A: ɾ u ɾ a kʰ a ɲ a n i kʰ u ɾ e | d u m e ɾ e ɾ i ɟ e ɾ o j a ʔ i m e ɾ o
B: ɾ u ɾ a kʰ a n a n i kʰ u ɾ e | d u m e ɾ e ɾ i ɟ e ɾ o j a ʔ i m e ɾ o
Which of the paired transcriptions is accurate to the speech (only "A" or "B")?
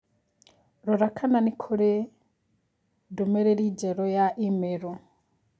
B